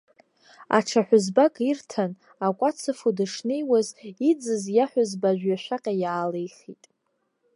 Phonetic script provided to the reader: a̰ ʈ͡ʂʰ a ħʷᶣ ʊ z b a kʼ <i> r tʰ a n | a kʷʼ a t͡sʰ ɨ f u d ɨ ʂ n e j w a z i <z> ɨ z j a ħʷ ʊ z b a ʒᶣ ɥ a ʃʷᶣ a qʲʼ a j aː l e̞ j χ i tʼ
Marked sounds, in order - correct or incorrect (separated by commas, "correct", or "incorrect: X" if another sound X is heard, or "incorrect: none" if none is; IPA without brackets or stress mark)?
correct, incorrect: d͡z